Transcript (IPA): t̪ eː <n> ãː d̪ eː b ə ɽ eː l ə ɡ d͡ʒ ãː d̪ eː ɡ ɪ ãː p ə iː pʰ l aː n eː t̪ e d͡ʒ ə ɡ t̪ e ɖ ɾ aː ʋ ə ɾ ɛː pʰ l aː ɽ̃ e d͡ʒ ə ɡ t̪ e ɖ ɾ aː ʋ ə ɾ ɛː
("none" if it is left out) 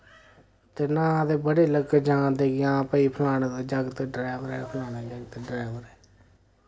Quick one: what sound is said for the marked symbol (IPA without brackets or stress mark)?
n